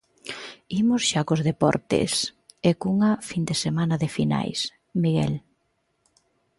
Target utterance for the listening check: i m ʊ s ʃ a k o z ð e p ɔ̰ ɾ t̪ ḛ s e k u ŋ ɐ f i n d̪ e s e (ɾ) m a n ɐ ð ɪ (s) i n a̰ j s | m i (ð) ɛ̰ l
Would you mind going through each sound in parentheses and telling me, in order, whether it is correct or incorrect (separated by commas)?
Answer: incorrect, incorrect, incorrect